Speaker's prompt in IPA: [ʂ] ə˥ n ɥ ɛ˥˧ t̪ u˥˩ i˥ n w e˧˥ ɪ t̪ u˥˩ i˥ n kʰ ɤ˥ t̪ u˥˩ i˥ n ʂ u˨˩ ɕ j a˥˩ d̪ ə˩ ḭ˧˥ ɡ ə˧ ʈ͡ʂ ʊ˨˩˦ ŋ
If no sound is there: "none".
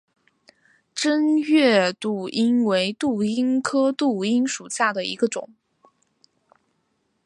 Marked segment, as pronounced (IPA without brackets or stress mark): ʈ͡ʂ